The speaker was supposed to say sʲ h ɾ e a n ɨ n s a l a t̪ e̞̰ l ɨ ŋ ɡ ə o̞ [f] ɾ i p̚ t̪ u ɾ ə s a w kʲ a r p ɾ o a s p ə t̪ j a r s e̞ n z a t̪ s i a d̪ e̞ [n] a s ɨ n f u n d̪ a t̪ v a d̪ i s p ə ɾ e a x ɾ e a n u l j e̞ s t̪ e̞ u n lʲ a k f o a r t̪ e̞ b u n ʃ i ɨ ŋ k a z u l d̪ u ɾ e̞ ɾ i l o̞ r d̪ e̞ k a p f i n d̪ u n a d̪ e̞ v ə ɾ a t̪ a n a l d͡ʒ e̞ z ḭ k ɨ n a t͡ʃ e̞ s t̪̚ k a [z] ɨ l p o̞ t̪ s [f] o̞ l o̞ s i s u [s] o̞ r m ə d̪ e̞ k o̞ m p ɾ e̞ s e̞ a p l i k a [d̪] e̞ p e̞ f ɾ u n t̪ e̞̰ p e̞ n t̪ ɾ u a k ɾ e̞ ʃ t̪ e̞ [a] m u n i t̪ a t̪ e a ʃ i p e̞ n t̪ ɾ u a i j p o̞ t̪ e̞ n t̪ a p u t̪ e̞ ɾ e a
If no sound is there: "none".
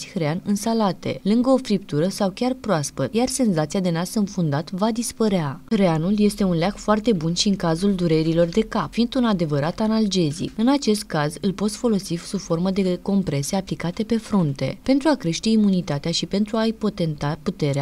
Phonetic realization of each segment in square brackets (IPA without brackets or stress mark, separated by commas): f, n, z, f, f, t̪, i